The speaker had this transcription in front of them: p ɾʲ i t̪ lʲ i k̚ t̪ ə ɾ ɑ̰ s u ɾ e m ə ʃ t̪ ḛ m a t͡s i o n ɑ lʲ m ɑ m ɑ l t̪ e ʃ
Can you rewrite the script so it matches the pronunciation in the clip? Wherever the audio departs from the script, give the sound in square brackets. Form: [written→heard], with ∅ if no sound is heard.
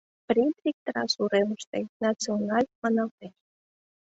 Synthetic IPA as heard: p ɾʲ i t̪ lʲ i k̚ t̪ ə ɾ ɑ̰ s u ɾ e m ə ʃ t̪ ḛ [m→n] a t͡s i o n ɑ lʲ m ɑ [m→n] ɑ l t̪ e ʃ